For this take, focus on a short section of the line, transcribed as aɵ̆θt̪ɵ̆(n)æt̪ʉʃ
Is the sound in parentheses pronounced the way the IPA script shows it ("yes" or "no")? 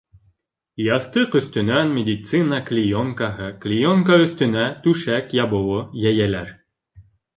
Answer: yes